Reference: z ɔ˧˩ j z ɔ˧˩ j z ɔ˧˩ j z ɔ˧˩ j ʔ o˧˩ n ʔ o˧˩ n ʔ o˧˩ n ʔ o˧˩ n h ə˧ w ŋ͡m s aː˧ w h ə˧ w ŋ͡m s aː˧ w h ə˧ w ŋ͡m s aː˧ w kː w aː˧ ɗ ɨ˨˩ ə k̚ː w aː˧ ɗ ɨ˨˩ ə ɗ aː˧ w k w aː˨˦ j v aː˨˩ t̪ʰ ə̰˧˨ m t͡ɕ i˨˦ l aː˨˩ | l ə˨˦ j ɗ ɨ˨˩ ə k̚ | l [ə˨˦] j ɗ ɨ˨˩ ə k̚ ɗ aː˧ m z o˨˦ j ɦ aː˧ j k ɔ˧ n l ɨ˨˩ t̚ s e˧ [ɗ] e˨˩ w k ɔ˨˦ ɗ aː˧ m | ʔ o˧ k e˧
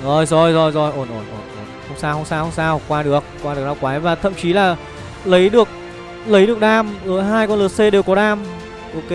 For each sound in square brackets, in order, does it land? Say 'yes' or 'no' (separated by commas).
yes, yes